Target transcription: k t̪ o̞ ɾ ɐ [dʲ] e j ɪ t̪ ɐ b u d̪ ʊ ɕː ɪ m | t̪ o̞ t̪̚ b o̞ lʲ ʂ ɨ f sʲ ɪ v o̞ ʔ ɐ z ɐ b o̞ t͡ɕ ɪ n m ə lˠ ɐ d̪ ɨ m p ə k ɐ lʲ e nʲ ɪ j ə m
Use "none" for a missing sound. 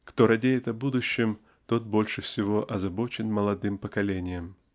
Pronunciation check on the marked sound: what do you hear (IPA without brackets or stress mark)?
dʲ